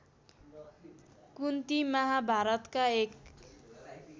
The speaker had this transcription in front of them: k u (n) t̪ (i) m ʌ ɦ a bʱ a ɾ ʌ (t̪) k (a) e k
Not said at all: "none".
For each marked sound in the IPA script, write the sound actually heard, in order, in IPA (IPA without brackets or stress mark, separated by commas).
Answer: n, i, t̪, a